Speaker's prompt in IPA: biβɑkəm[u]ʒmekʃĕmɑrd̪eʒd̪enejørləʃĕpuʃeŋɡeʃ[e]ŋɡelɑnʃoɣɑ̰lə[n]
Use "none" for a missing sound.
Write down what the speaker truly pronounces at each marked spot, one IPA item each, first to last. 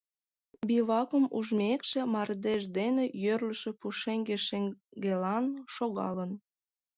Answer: u, e, n

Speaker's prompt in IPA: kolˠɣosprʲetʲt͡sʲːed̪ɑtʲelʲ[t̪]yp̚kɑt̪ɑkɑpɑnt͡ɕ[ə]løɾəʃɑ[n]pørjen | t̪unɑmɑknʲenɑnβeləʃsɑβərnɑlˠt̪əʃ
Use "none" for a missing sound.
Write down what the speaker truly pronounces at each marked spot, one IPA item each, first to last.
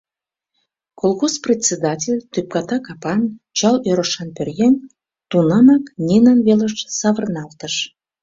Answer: t̪, ɑ, n

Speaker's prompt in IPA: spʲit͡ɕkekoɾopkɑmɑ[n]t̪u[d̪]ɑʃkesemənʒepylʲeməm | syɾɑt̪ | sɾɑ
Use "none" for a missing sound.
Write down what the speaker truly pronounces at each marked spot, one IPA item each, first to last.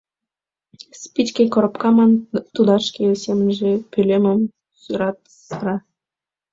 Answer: n, d̪

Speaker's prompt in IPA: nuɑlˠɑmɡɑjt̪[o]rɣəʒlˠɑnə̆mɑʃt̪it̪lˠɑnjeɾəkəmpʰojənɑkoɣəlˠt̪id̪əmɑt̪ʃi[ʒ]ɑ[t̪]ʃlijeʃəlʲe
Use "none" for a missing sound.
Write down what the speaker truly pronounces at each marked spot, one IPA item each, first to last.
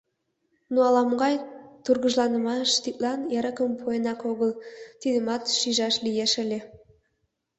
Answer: u, ʒ, none

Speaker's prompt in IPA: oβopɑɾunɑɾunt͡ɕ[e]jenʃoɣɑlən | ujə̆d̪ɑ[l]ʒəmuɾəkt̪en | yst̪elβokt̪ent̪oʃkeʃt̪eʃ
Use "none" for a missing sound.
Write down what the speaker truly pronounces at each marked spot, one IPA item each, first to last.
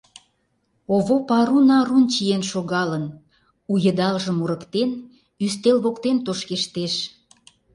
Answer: i, l

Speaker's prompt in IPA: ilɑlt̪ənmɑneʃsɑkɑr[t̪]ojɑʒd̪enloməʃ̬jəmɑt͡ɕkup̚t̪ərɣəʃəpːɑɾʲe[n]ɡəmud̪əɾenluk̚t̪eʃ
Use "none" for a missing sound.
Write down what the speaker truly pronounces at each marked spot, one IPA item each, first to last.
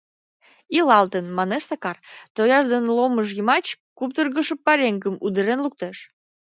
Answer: t̪, ŋ

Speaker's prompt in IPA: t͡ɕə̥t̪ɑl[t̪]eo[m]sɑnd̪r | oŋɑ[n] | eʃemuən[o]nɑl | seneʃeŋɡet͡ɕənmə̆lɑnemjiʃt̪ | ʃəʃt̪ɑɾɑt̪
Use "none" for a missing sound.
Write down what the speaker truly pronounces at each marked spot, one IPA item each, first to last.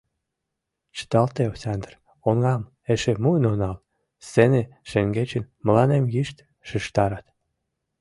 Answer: t̪, none, m, o

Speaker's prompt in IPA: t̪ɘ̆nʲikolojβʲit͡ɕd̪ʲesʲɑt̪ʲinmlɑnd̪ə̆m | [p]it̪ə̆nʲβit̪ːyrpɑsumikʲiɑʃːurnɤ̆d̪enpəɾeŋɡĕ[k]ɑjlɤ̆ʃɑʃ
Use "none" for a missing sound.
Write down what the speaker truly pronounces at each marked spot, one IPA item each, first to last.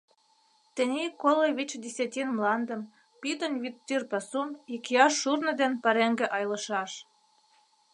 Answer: p, ʔ

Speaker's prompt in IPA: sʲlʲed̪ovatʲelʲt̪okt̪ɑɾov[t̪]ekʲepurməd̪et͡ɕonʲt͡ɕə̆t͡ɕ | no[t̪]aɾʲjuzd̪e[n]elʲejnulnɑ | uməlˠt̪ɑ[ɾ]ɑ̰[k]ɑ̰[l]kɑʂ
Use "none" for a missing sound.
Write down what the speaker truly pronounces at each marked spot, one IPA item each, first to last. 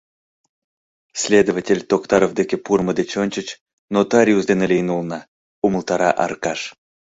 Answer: d̪, t̪, n, ɾ, ʔ, r

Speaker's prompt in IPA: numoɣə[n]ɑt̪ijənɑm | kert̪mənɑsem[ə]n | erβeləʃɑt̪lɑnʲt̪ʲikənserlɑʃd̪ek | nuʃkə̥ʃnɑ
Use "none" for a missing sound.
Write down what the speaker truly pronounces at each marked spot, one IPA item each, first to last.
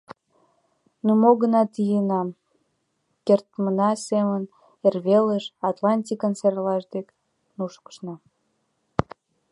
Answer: n, ə

